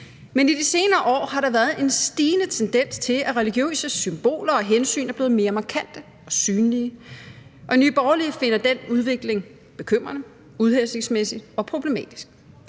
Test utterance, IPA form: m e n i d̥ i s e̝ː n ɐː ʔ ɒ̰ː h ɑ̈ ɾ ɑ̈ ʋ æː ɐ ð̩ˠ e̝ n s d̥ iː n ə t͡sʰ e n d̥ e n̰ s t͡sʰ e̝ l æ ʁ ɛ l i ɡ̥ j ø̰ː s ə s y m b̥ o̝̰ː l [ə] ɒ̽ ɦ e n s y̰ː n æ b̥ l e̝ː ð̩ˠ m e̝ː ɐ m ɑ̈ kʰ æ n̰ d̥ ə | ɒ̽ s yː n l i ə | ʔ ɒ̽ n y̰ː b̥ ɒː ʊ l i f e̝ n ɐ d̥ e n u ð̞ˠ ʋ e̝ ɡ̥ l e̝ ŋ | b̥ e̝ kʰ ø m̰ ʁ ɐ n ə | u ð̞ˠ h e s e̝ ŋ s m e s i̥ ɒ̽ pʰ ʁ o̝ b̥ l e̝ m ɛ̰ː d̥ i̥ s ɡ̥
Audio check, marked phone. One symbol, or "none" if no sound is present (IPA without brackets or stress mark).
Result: ɐ